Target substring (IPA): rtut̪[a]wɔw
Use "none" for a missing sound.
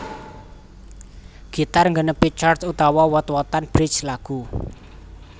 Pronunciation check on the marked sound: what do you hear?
a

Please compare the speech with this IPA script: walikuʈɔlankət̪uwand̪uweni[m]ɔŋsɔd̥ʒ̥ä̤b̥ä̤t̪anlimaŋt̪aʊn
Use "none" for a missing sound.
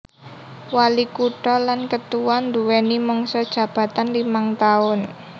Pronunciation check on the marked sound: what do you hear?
m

